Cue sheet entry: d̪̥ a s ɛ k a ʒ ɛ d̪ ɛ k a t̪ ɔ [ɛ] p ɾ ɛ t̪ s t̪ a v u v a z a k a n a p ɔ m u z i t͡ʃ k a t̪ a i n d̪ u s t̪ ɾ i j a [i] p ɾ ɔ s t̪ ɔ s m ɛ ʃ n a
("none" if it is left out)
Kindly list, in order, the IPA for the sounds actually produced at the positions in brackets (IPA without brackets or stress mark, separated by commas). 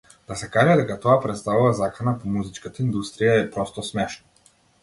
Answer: a, ɛ